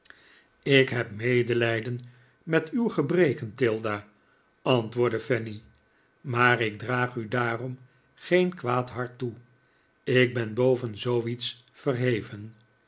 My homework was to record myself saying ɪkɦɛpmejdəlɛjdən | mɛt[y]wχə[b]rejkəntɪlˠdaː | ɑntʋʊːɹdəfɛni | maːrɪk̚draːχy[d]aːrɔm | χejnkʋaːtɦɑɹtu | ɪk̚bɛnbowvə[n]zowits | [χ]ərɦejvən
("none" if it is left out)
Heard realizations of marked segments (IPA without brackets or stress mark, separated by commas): y, b, d, n, f